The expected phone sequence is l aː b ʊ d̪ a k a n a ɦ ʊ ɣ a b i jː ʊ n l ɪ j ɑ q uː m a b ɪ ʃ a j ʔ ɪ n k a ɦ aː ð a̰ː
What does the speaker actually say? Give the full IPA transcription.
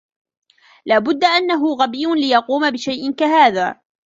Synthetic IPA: l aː b ʊ d̪ː a ʔ a nː a ɦ ʊ ɣ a b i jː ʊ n l ɪ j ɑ q uː m a b ɪ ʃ a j ʔ ɪ n k a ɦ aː ð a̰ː

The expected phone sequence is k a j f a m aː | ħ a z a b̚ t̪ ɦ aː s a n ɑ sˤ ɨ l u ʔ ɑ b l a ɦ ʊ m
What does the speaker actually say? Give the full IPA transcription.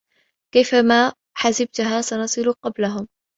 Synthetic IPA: k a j f a m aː | ħ a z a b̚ t̪ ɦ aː s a n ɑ sˤ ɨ l u q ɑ b l a ɦ ʊ m

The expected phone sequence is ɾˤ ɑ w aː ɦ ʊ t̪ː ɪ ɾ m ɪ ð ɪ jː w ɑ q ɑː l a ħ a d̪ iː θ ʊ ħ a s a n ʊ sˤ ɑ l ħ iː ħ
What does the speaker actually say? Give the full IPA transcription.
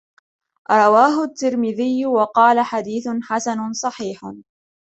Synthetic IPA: ɾˤ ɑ w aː ɦ ʊ t̪ː ɪ ɾ m ɪ ð ɪ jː w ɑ q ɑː l a ħ a d̪ iː θ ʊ ħ a s a n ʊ sˤ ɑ ħ iː ħ

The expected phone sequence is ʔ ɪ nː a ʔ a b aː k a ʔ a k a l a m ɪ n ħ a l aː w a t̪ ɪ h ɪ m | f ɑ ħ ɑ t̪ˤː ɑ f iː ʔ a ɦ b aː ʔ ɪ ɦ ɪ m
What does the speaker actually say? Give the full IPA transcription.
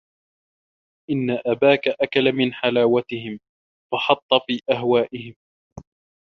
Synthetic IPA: ʔ ɪ nː a ʔ a b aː k a ʔ a k a l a m ɪ n ħ a l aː w a t̪ ɪ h ɪ m | f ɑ ħ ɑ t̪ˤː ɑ f iː ʔ a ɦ w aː ʔ ɪ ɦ ɪ m

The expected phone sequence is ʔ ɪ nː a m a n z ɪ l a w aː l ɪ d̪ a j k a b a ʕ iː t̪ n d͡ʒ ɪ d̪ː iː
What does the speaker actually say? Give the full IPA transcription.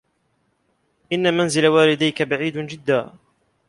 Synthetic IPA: ʔ ɪ nː a m a n z ɪ l a w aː l ɪ d̪ a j k a b a ʕ iː d̪ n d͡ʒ ɪ d̪ː aː

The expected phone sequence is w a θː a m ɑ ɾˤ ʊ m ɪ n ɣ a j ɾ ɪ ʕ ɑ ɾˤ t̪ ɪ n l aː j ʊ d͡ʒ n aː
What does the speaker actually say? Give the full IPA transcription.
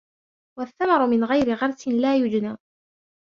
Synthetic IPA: w a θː a m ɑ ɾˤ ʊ m ɪ n ɣ a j ɾ ɪ ɣ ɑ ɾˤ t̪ ɪ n l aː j ʊ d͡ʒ n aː

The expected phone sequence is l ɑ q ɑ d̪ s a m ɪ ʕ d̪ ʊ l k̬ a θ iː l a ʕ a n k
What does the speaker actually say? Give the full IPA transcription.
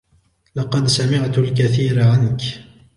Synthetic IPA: l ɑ q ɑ d̪ s a m ɪ ʕ t̪ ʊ l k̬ a θ iː ɾ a ʕ a n k

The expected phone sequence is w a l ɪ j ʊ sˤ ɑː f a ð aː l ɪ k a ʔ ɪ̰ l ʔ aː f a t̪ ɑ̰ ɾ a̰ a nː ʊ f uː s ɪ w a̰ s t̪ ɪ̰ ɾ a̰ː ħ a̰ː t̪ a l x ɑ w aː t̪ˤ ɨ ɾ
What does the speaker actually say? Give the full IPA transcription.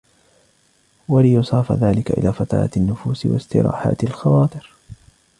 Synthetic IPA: w a l ɪ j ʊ sˤ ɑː f a ð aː l ɪ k a ʔ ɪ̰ l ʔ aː f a t̪ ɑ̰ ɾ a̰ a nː ʊ f uː s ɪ w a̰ s t̪ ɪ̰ ɾ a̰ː ħ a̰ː t̪ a l x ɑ w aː t̪ˤ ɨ ɾ

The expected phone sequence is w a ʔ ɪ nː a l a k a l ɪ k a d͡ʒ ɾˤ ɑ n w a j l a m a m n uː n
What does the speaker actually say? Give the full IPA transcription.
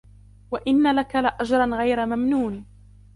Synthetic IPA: w a ʔ ɪ nː a l a k a l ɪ ʔ a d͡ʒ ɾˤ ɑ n ɣ a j ɾ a m a m n uː n

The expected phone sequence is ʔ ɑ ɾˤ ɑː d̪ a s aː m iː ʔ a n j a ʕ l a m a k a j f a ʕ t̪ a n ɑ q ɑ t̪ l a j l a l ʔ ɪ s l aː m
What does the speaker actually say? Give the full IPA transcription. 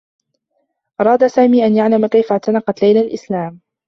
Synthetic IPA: ʔ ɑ ɾˤ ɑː d̪ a s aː m iː ʔ a n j a ʕ l a m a k a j f a ʕ t̪ a n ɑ q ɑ t̪ l a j l a l ʔ ɪ s l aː m

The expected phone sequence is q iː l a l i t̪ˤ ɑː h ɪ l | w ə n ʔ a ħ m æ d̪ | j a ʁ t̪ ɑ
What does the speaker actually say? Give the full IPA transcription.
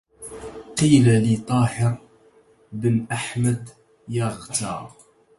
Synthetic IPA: q iː l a l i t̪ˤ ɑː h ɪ ɾ | b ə n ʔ a ħ m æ d̪ | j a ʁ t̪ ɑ

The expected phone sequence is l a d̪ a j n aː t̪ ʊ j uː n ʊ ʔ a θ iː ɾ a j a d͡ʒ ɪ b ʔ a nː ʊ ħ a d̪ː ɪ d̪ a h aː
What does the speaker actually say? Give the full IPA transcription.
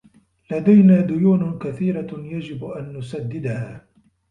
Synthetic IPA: l a d̪ a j n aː d̪ ʊ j uː n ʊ k a θ iː ɾ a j a d͡ʒ ɪ b ʔ a nː ʊ s a d̪ː ɪ d̪ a h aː

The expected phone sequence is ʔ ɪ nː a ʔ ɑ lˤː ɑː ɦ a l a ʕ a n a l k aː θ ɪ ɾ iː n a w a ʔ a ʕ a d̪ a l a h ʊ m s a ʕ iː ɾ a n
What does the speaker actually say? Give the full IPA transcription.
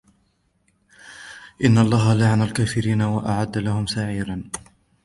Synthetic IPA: ʔ ɪ nː a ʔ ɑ lˤː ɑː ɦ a l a ʕ a n a l k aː f ɪ ɾ iː n a w a ʔ a ʕ a d̪ː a l a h ʊ m s a ʕ iː ɾ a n

